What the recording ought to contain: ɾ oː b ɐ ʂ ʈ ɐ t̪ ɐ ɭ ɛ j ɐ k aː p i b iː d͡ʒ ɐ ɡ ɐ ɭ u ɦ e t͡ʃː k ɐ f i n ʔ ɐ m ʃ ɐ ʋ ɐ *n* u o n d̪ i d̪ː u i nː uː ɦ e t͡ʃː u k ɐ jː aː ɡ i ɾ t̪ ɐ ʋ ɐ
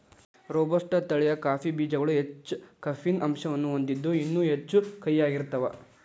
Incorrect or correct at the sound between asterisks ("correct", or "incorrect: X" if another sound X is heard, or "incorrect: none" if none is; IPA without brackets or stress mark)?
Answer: incorrect: nː